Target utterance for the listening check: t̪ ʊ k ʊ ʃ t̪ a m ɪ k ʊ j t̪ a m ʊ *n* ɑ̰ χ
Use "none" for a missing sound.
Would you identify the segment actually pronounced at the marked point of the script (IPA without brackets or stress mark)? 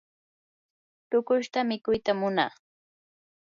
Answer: n